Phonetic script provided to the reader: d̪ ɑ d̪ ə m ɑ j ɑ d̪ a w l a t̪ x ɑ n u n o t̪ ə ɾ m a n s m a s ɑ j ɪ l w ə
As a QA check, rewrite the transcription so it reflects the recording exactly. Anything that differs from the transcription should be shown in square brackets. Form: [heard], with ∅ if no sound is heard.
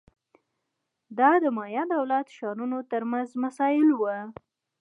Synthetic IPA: d̪ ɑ d̪ ə m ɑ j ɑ d̪ a w l a t̪ [ʃ] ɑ n u n o t̪ ə ɾ m a n [z] m a s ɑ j ɪ l w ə